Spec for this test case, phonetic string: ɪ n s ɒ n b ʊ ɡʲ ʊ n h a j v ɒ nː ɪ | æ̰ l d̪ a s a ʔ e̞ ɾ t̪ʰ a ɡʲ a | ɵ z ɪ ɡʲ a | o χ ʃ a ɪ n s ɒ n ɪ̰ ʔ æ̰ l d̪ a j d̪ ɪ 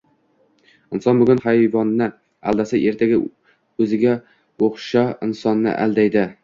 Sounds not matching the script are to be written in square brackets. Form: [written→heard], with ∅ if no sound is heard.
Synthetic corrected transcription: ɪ n s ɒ n b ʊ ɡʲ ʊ n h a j v ɒ nː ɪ | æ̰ l d̪ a s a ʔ e̞ ɾ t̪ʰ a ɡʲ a | ɵ z ɪ ɡʲ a | o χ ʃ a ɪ n s ɒ [n→nː] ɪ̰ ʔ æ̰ l d̪ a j d̪ ɪ